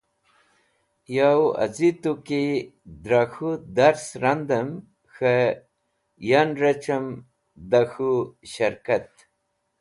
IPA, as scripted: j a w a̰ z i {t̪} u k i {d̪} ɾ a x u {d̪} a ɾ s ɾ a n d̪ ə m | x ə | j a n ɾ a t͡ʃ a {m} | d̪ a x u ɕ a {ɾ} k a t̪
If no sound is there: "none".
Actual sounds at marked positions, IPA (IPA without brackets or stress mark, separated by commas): t̪, d̪, d̪, m, ɾ